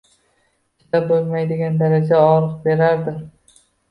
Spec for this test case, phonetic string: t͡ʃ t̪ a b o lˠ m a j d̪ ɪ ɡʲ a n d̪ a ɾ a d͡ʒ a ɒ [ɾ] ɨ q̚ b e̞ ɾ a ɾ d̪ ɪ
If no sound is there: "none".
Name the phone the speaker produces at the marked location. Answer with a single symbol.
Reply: ɾ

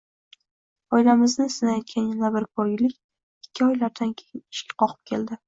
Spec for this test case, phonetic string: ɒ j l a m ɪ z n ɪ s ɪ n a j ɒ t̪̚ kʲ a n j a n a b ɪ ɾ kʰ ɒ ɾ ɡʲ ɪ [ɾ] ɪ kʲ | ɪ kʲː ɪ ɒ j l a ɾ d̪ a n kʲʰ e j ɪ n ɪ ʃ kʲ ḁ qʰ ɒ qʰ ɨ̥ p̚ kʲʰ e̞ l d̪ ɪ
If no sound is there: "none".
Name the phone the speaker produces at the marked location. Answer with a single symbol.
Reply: l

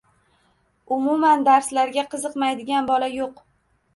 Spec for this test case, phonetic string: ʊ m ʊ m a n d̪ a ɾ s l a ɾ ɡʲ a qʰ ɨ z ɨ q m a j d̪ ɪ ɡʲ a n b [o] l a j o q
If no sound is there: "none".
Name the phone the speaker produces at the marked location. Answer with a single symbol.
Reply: ɒ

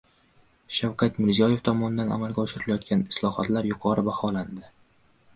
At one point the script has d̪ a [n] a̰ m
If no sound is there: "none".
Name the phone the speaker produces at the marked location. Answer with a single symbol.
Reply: n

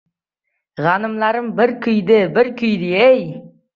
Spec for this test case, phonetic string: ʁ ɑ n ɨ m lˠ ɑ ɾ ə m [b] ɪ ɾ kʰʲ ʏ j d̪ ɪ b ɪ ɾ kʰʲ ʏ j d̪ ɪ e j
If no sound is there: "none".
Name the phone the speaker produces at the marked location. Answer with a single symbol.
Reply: b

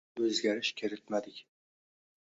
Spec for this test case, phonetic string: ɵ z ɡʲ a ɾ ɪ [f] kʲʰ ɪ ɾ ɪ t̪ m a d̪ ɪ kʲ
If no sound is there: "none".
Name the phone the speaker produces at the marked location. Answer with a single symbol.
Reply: ʃ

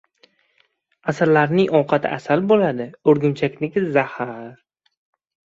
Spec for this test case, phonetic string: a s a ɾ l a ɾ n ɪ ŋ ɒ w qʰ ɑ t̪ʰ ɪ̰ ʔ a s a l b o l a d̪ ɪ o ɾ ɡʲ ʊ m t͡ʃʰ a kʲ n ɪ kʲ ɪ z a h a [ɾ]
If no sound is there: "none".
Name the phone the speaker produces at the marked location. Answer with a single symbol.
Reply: ɾ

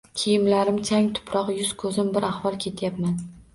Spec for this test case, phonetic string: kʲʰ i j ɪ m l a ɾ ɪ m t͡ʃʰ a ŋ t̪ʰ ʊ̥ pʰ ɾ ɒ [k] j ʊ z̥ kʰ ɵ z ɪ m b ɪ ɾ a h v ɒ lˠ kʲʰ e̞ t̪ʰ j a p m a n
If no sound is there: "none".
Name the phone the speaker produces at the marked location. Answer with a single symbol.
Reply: q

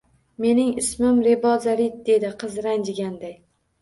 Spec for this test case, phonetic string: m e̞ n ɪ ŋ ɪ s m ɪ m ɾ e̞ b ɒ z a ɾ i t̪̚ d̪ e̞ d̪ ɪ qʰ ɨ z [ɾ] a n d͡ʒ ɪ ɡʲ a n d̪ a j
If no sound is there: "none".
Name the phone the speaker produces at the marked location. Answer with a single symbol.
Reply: ɾ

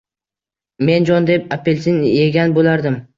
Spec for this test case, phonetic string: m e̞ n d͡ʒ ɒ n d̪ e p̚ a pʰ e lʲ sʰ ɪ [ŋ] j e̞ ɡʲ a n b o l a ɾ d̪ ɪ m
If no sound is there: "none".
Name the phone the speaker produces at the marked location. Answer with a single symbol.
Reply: n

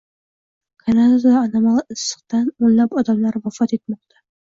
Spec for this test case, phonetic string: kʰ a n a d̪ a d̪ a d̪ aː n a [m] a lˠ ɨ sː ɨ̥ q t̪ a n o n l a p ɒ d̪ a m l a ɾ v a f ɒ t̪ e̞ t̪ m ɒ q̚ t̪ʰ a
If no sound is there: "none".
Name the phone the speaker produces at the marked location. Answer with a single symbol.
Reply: m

